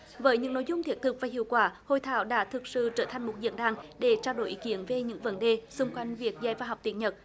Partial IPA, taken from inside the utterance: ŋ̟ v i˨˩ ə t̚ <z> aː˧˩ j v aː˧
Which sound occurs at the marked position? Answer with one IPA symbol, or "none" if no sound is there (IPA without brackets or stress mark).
z